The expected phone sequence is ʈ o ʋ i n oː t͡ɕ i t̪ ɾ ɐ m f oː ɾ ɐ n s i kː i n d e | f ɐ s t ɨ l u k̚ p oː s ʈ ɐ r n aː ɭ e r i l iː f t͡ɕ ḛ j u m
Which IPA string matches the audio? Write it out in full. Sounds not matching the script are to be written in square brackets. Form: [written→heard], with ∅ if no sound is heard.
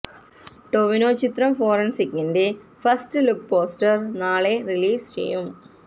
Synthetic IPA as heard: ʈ o ʋ i n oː t͡ɕ i t̪ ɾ ɐ m f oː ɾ ɐ n s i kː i n d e | f ɐ s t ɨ l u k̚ p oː s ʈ ɐ r n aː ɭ e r i l iː [f→s] t͡ɕ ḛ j u m